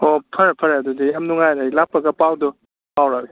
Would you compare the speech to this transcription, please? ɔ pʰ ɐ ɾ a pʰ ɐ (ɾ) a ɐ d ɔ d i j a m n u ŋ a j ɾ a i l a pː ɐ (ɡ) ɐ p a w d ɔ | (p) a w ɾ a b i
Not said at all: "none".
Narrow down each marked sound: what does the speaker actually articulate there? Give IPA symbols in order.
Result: ɾ, ɡ, p

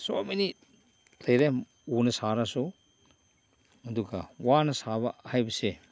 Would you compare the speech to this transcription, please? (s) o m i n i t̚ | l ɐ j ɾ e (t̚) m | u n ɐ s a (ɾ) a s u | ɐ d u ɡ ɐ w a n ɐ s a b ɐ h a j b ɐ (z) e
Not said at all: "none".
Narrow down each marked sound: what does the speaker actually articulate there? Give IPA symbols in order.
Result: s, none, ɾ, s

